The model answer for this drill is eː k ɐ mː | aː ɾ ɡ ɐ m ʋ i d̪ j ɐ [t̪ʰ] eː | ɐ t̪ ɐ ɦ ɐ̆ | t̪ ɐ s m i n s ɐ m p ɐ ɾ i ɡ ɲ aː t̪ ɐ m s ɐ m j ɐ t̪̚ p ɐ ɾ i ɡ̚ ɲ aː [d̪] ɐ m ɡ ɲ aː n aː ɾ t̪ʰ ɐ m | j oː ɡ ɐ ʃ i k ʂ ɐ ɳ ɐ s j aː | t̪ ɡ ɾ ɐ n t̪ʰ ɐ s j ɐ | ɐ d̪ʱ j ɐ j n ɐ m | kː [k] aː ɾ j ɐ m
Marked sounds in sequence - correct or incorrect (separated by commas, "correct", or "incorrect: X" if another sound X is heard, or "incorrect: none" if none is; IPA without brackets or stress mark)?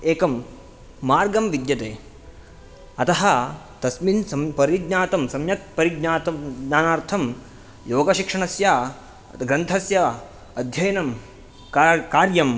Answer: incorrect: t̪, incorrect: t̪, correct